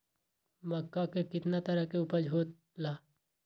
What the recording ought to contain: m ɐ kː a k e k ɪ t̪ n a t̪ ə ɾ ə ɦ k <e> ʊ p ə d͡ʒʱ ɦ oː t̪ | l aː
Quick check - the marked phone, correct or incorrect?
correct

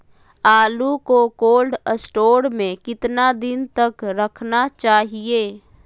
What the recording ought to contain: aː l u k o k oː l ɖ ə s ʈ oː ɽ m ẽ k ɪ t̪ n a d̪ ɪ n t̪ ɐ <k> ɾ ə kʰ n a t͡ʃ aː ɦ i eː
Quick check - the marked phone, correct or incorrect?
correct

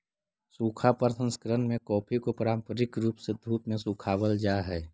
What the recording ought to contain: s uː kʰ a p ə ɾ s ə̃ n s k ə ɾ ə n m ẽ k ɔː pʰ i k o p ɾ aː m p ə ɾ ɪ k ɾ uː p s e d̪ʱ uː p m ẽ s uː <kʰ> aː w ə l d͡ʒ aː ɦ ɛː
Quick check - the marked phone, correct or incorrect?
correct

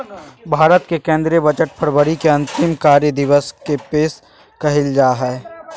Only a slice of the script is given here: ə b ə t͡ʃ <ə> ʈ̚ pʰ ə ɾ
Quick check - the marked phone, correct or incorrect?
correct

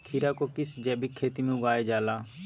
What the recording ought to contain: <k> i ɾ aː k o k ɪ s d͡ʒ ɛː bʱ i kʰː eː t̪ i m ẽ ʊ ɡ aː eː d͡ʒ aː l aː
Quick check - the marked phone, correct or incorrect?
incorrect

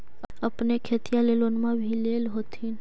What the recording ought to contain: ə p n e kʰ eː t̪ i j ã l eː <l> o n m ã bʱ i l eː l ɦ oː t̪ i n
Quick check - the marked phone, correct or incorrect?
correct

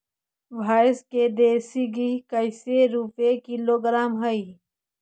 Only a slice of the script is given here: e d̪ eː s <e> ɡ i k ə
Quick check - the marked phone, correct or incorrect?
incorrect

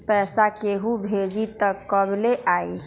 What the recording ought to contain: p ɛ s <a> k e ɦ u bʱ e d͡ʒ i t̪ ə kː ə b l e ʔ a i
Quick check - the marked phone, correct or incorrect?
correct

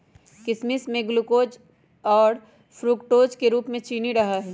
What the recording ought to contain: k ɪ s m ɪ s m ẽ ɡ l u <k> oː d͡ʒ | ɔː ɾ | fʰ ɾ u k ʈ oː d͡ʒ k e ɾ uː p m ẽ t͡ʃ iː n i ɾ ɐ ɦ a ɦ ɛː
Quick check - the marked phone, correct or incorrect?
correct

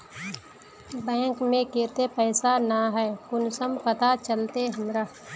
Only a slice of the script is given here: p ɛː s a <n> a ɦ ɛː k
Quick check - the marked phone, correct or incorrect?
correct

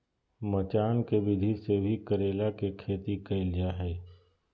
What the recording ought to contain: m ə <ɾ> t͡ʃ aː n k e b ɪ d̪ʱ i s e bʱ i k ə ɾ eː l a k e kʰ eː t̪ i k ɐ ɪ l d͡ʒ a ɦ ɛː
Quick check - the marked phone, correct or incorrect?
incorrect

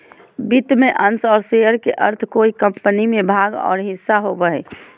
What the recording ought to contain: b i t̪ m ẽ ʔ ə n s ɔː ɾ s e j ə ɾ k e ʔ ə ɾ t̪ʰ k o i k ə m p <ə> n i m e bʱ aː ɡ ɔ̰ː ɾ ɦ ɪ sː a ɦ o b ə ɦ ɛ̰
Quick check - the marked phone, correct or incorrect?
correct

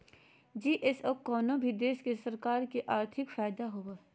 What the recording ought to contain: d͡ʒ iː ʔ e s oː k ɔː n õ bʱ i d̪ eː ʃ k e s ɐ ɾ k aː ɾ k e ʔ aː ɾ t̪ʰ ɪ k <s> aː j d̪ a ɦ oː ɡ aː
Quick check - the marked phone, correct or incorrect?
incorrect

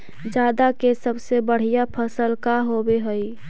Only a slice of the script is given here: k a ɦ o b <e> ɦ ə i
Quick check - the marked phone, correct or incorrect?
correct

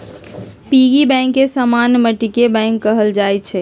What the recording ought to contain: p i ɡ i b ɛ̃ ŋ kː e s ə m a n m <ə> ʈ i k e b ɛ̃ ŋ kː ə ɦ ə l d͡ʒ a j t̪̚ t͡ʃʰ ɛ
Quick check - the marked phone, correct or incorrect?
correct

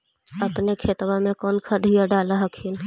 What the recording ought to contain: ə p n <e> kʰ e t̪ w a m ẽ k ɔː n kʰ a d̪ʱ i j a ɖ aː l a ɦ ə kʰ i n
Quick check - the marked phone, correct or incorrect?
correct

